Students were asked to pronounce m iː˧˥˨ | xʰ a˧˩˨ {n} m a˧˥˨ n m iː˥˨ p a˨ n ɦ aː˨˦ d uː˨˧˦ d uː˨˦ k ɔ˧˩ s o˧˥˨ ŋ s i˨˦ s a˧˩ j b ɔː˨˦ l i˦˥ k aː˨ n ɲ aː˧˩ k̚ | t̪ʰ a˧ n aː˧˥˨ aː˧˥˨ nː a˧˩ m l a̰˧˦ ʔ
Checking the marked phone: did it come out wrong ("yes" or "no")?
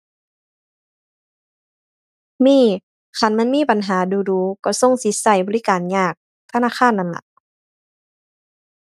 no